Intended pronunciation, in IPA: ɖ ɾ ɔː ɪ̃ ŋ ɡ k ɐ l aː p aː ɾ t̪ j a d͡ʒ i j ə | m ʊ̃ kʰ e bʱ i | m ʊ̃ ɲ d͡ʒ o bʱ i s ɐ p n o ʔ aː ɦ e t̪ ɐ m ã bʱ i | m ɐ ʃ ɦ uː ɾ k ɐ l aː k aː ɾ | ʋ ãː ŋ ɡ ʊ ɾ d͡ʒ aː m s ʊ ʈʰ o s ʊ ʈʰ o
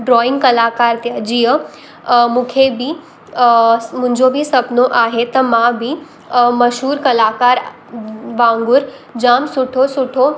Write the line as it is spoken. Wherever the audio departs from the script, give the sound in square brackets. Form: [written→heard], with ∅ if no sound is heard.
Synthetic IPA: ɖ ɾ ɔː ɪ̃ ŋ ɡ k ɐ l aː [p→k] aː ɾ t̪ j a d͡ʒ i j ə | m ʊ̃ kʰ e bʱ i | m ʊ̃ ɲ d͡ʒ o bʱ i s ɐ p n o ʔ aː ɦ e t̪ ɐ m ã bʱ i | m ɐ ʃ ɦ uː ɾ k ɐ l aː k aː ɾ | ʋ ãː ŋ ɡ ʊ ɾ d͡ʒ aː m s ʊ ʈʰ o s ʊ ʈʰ o